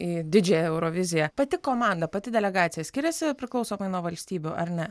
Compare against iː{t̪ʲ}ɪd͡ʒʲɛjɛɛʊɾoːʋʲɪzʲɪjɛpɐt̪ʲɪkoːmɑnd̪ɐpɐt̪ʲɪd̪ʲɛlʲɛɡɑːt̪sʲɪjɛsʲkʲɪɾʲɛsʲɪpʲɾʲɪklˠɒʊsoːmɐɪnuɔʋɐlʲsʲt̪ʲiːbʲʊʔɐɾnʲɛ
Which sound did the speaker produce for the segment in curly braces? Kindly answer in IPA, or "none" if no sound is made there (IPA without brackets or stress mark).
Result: d̪ʲ